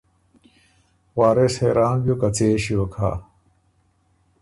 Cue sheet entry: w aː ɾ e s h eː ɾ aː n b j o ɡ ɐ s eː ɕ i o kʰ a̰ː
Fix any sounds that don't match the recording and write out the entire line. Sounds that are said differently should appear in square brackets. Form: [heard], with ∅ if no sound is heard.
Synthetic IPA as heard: w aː ɾ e s h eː ɾ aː n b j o [k] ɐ [t͡s] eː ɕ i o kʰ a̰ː